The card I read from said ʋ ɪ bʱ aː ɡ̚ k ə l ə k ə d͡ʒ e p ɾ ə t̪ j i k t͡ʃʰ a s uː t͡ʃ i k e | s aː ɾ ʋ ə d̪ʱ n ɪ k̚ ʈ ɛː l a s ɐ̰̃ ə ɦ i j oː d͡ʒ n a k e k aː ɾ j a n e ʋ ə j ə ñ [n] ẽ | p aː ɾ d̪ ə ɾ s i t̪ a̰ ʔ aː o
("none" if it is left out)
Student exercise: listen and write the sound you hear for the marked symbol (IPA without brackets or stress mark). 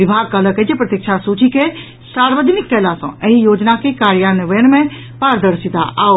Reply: m